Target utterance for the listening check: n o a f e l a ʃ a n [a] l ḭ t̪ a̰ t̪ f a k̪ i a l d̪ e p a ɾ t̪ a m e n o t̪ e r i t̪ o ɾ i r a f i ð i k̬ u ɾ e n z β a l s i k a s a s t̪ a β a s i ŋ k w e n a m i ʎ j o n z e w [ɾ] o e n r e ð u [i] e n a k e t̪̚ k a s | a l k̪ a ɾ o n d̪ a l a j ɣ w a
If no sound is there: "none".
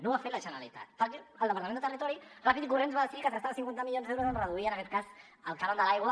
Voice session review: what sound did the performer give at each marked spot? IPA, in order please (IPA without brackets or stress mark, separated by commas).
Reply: a, ɾ, i